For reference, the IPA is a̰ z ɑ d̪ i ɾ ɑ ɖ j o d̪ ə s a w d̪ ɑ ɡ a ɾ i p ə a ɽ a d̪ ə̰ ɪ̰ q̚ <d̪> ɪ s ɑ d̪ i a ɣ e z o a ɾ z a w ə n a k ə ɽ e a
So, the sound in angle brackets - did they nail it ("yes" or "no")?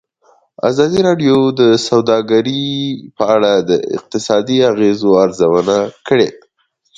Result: no